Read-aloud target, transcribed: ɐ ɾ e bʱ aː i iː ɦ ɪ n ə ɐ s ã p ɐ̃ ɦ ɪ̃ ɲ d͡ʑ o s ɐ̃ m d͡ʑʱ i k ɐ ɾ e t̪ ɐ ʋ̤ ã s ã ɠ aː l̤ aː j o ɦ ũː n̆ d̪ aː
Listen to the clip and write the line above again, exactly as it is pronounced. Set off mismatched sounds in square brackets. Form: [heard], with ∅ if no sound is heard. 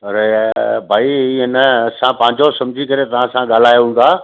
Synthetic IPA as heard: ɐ ɾ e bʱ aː i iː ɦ ɪ n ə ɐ s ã p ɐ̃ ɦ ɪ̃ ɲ d͡ʑ o s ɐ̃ m d͡ʑʱ i k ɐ ɾ e t̪ ɐ ʋ̤ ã s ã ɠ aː l̤ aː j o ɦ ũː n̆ d̪ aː